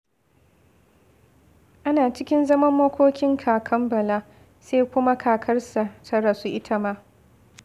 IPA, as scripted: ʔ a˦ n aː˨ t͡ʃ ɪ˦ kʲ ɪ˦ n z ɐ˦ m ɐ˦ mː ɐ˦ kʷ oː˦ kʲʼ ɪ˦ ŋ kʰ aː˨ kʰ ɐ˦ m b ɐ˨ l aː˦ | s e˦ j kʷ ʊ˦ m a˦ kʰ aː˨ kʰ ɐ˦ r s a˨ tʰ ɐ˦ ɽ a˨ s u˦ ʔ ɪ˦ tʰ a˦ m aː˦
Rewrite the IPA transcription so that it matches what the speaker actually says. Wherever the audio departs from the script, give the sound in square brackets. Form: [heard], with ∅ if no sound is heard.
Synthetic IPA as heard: ʔ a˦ n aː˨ t͡ʃ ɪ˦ kʲ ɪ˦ n z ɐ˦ m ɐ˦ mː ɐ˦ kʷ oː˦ [kʲ] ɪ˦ ŋ kʰ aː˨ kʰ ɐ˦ m b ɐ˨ l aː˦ | s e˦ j kʷ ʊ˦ m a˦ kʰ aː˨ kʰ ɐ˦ r s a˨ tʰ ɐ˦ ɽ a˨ s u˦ ʔ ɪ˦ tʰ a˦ m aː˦